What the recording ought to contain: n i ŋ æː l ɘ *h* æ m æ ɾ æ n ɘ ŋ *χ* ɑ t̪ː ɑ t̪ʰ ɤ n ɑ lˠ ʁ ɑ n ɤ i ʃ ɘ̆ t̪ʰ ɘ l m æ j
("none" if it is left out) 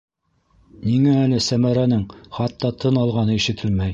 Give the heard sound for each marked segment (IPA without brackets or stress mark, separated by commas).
s, χ